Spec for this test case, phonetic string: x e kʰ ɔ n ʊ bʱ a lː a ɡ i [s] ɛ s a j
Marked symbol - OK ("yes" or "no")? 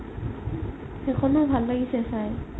yes